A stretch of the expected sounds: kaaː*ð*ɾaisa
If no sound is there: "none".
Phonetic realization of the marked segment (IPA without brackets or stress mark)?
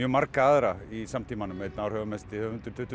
ð